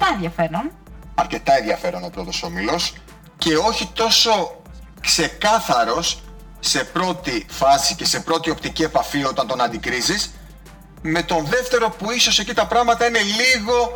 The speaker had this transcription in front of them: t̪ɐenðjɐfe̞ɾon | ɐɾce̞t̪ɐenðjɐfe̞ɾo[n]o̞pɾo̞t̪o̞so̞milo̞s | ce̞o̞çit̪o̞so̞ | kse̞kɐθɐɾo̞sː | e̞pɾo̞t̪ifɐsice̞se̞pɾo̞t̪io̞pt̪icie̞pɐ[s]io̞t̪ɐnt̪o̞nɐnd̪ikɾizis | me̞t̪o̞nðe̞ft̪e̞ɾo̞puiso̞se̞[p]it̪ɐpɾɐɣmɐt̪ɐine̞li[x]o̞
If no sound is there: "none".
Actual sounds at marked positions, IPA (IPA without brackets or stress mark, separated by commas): n, f, c, ɣ